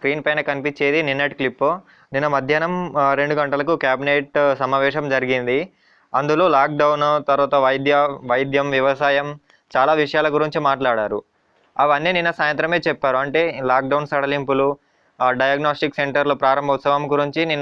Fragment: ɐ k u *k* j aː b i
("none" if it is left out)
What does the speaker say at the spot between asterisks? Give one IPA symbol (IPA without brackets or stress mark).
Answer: k